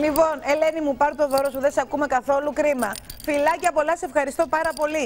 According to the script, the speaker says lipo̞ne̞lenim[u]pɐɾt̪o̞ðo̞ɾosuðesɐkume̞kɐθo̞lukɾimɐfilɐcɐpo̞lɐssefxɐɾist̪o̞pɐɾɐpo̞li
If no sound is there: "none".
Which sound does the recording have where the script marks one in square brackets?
u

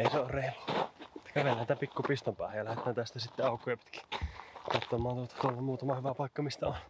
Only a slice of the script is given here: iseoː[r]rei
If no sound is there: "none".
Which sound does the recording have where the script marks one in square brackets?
r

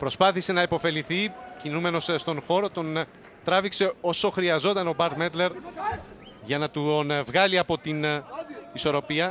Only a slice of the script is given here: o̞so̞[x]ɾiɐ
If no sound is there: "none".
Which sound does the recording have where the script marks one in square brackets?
x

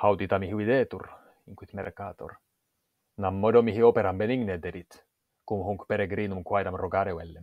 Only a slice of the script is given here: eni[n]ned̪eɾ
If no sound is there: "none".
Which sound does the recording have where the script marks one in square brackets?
ŋ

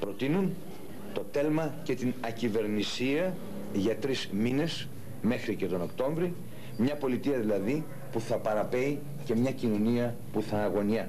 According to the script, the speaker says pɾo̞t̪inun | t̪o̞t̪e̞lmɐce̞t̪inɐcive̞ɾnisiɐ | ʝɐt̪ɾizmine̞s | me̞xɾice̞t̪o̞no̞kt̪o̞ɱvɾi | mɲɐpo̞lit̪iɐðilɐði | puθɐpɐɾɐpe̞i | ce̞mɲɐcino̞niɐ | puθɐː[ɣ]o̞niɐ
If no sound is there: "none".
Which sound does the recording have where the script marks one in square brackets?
ɣ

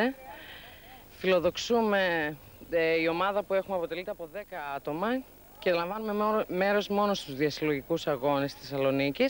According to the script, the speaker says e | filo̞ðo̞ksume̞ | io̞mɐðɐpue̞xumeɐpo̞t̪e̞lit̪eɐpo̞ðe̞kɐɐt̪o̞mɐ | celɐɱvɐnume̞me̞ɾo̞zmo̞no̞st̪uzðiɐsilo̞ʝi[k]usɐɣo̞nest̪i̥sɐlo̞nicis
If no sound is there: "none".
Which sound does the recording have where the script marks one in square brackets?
k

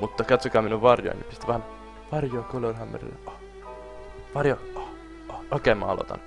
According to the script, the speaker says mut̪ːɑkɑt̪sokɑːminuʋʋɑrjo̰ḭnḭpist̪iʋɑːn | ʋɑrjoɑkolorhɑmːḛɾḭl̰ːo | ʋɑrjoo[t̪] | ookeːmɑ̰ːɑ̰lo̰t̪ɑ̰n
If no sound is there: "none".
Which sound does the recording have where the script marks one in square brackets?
none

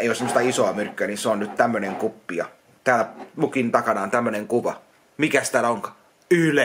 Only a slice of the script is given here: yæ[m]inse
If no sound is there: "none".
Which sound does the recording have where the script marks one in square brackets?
n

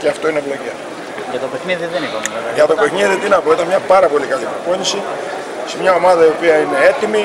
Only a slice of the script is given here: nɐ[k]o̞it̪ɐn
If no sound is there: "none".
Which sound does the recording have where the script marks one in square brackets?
p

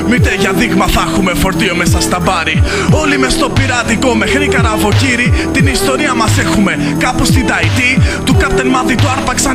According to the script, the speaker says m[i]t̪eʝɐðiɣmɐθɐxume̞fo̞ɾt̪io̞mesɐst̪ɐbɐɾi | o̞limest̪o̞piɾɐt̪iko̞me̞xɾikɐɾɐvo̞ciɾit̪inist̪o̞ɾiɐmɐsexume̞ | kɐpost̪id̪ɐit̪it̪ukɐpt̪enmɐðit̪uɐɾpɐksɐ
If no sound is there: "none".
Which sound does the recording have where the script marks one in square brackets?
i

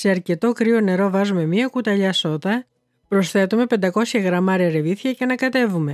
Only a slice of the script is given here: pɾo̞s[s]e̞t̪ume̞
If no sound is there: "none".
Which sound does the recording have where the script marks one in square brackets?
θ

